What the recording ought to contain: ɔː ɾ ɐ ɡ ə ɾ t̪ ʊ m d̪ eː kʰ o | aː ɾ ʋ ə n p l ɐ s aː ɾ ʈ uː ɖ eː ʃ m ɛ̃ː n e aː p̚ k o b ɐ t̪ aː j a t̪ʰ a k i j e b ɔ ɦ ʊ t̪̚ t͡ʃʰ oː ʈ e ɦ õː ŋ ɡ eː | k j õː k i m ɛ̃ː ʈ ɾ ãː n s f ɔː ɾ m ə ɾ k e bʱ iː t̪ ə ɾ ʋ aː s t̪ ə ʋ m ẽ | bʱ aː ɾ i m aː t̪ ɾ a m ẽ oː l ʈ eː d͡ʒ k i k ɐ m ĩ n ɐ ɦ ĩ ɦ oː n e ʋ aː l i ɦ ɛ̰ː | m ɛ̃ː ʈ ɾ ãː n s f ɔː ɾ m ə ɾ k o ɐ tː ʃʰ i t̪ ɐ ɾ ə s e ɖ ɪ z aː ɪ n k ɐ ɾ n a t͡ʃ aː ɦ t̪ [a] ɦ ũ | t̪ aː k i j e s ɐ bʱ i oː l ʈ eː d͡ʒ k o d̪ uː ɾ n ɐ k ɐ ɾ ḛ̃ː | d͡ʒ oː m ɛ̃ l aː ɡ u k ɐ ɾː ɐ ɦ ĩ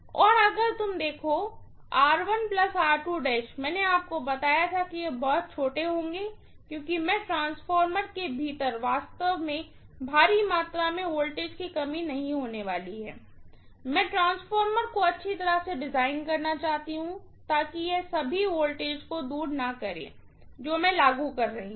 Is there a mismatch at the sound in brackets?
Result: yes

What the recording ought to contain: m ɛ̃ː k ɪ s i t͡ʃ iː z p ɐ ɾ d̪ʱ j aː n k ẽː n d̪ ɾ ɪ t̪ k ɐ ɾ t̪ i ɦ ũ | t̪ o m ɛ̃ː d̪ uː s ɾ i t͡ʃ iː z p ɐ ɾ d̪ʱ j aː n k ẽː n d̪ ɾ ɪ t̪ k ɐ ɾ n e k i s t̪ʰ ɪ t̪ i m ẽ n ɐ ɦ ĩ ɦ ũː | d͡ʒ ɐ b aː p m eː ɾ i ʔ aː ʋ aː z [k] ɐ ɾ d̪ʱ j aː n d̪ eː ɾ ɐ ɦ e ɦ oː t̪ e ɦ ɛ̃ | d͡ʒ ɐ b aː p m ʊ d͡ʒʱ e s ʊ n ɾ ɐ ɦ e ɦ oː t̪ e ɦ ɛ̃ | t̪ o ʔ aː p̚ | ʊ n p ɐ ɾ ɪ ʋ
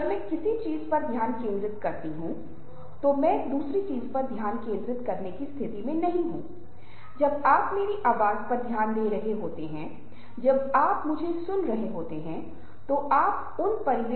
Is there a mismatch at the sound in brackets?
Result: yes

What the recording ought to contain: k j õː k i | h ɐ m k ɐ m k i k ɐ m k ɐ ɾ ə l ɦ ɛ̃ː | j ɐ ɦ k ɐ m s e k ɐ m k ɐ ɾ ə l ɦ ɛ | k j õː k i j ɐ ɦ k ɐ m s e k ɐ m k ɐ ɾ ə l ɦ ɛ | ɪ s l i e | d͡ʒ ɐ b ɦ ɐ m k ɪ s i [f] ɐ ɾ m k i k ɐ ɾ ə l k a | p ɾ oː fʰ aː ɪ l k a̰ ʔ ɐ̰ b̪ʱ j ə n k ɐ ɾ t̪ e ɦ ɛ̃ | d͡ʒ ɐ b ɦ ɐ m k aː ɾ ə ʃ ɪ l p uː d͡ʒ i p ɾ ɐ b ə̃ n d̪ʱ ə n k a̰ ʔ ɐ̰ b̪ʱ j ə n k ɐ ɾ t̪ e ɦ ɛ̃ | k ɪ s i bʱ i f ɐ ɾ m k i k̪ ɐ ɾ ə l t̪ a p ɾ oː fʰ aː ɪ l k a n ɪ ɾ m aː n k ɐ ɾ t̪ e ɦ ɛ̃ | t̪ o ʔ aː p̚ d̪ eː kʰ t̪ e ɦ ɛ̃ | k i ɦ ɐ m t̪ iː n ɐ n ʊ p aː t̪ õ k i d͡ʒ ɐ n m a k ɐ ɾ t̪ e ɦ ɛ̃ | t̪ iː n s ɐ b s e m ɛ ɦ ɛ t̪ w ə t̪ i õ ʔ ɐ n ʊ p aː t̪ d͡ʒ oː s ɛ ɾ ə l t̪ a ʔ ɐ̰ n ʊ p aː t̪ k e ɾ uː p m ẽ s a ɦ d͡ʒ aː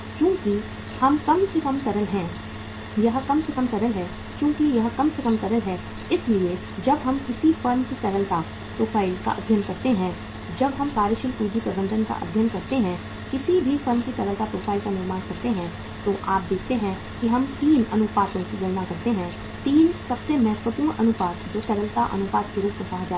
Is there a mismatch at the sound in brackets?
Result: no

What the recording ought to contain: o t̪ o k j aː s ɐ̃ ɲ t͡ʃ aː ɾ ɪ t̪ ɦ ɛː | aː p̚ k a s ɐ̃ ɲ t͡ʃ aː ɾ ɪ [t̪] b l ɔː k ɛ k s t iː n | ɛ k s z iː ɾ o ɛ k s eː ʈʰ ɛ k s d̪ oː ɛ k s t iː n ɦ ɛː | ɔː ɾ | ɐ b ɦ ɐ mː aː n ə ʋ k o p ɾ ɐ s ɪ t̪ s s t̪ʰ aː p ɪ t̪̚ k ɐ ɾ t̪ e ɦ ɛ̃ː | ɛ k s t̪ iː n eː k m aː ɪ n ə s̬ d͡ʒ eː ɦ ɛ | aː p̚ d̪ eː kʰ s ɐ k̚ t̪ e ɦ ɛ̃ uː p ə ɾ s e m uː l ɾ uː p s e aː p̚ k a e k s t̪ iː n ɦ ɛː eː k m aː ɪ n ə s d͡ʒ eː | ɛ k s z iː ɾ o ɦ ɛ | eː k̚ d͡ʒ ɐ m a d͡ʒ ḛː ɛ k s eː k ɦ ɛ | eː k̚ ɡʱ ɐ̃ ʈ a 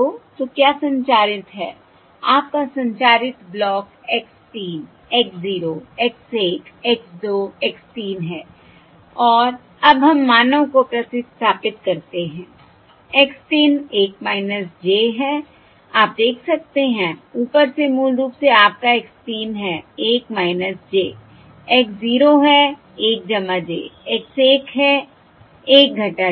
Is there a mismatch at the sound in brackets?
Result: no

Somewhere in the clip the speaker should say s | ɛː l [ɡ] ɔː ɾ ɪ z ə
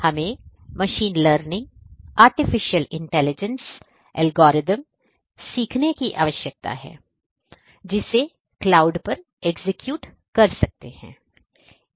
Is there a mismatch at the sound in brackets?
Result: no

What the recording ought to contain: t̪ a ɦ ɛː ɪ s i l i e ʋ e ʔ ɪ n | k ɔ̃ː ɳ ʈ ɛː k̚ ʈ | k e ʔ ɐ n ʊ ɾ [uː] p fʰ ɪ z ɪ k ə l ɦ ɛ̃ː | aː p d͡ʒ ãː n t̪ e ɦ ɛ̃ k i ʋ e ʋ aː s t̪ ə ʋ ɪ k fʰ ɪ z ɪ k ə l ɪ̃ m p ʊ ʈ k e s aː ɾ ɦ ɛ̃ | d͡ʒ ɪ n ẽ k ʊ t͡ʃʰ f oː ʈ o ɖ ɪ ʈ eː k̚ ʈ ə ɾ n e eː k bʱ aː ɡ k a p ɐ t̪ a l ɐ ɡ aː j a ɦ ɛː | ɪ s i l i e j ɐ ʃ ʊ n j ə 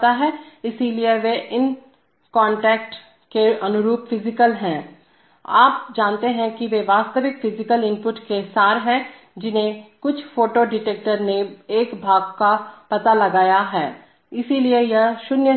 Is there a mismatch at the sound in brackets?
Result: no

